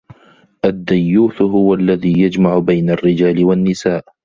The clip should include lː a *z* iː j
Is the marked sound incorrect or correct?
incorrect